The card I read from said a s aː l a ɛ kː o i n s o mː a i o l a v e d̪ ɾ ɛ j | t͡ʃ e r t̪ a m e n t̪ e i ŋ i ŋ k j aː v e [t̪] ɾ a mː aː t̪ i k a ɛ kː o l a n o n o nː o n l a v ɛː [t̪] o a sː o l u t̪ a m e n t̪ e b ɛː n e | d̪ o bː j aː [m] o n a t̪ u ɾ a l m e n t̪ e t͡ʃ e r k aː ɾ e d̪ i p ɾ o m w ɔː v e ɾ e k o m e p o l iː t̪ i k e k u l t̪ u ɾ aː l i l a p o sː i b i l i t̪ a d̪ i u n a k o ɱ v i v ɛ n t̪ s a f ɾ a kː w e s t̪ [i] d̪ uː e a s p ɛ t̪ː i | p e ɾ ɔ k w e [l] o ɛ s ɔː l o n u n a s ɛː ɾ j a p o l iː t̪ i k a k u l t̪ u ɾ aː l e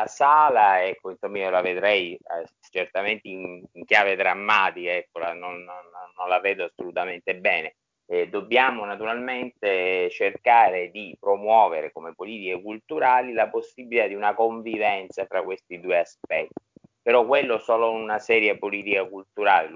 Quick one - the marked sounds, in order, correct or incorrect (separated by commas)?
incorrect, incorrect, correct, correct, incorrect